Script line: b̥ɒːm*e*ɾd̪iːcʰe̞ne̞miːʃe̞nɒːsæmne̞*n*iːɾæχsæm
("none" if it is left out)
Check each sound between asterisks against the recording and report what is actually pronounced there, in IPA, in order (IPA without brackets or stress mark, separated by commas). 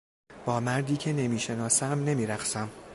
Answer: æ, m